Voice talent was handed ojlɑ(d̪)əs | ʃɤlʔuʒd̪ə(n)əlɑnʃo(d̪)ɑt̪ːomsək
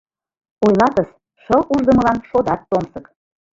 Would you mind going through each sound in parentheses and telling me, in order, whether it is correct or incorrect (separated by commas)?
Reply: incorrect, incorrect, correct